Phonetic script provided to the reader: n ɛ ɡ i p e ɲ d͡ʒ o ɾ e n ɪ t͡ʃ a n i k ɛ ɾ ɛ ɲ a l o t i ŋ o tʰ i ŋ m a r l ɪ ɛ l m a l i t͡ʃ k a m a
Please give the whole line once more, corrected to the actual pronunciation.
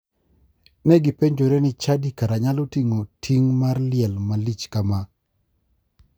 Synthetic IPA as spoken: n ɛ ɡ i p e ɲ d͡ʒ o ɾ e n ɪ t͡ʃ a d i k a ɾ a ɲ a l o t i ŋ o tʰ i ŋ m a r l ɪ ɛ l m a l i t͡ʃ k a m a